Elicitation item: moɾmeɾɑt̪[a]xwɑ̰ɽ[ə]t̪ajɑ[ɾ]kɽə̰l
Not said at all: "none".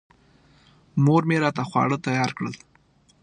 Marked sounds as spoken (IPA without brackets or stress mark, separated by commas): a, ə, ɾ